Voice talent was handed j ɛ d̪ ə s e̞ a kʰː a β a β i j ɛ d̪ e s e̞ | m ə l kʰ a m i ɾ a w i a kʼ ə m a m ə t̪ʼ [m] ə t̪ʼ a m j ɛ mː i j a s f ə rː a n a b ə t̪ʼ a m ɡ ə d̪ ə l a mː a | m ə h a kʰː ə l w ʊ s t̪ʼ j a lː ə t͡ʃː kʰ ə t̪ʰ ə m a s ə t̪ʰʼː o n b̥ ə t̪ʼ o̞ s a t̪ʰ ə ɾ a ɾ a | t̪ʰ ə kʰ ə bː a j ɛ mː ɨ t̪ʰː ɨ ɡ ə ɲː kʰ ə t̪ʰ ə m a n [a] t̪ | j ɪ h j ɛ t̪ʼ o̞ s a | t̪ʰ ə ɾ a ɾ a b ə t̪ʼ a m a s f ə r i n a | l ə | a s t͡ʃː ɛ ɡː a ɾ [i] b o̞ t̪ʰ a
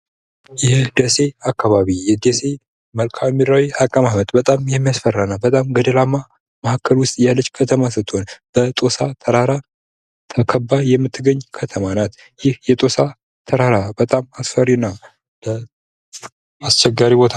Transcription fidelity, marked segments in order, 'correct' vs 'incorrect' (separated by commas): incorrect, correct, correct